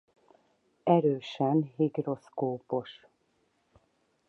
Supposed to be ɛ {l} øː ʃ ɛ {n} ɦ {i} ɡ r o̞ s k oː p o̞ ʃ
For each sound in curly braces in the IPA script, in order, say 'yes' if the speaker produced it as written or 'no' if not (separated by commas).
no, yes, yes